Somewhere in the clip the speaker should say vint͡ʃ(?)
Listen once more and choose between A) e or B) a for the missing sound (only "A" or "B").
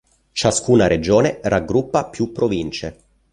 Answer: A